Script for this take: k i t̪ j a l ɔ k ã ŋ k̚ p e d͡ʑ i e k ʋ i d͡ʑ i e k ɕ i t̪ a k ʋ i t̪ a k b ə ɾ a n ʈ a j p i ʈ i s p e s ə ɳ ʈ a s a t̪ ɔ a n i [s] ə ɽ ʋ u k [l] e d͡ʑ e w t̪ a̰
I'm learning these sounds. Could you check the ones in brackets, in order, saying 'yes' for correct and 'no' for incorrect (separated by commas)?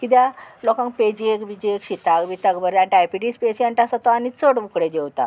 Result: no, no